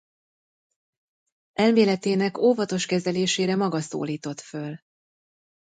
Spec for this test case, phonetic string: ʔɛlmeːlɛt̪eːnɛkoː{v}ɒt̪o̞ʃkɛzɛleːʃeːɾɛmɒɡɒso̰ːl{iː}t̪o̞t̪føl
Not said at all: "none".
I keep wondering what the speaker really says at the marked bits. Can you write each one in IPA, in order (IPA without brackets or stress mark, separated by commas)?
v, iː